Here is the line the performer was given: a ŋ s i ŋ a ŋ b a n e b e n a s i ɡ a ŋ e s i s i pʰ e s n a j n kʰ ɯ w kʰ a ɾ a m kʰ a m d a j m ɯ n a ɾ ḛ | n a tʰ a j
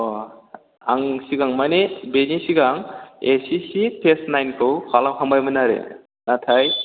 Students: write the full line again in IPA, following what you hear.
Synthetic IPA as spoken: a ŋ s i ɡ a ŋ m a n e b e n i s i ɡ a ŋ e s i s i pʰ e s n a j n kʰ ɯ w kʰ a l a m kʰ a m b a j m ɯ n a ɾ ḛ | n a tʰ a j